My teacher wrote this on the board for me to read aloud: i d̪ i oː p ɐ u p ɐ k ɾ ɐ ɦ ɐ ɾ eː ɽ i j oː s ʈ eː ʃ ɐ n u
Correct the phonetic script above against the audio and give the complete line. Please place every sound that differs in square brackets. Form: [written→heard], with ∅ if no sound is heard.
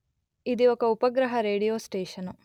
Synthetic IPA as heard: i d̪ i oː [p→k] ɐ u p ɐ [k→ɡ] ɾ ɐ ɦ ɐ ɾ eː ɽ i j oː s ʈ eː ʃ ɐ n u